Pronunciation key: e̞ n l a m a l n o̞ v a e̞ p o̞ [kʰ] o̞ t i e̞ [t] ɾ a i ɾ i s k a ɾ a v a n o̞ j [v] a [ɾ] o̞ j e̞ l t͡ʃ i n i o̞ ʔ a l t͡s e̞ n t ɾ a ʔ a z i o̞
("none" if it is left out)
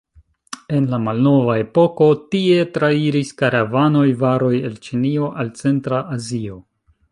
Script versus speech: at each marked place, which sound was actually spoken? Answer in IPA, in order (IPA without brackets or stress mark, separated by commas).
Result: k, t, v, ɾ